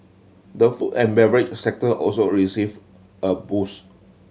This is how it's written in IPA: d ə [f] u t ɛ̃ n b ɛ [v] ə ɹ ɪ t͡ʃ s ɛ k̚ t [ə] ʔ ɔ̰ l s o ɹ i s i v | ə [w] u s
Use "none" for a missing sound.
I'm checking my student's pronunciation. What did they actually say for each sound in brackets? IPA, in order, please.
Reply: f, v, ə, b

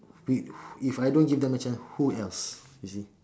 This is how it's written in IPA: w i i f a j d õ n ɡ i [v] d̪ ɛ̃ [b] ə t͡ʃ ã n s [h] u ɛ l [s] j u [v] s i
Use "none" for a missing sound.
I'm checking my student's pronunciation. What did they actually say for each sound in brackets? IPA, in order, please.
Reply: v, m, h, s, none

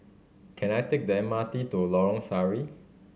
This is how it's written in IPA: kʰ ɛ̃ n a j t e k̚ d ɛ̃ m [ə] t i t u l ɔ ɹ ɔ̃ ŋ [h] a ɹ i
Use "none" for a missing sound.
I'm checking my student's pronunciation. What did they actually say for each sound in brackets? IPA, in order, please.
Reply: a, s

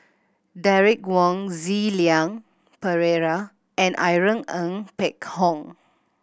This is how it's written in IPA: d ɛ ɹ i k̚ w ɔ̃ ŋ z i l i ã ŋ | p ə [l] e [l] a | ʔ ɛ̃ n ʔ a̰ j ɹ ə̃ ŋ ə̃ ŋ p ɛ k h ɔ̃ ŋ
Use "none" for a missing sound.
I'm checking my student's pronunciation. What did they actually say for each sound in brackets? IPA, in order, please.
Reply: ɹ, ɹ

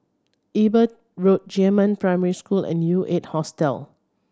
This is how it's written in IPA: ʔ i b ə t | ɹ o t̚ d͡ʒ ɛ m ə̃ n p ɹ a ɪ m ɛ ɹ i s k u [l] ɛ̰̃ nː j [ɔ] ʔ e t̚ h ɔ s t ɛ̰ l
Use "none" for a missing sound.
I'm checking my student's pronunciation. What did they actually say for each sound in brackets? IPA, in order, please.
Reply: l, u

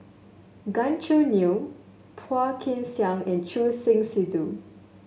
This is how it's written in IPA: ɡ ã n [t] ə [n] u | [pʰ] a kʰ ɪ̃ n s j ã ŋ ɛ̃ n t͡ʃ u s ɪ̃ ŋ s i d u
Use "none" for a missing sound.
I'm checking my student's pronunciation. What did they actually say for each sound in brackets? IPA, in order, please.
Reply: t͡ʃ, n, pʰ

